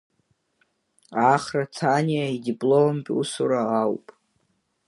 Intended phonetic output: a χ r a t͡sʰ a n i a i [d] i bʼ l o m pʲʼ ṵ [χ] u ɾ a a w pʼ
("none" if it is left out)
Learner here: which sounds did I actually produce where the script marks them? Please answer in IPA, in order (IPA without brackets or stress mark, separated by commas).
d, s